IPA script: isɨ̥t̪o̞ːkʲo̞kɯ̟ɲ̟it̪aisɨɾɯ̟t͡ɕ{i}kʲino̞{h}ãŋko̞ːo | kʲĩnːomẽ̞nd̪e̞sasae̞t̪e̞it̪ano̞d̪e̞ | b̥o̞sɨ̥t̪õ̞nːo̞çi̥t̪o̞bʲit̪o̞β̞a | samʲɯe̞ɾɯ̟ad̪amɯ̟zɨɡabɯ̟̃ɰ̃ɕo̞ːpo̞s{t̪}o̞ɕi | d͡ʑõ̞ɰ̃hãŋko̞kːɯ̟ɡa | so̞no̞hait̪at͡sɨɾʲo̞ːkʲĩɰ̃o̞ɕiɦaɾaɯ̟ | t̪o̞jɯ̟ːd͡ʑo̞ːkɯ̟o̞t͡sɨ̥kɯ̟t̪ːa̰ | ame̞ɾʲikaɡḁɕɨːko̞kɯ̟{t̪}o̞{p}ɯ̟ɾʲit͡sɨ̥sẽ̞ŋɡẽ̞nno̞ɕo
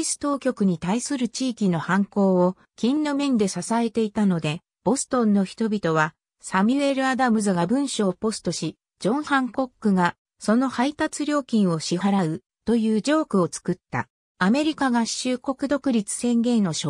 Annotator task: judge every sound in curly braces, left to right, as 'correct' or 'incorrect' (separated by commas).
incorrect, correct, correct, incorrect, incorrect